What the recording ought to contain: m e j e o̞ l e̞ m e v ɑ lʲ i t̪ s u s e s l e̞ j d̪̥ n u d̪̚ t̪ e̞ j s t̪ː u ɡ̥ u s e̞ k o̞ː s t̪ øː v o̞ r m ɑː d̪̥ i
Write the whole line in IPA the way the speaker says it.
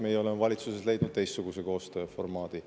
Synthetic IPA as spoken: m e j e o̞ l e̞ m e v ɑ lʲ i t̪ s u s e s l e̞ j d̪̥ n u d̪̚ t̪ e̞ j s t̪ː u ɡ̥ u s e̞ k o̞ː s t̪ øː f o̞ r m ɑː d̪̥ i